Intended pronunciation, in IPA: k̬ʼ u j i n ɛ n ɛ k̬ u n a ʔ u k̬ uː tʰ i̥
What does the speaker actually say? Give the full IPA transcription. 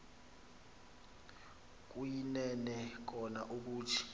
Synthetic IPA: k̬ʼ u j i n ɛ n ɛ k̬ ɔ n a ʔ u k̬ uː tʰ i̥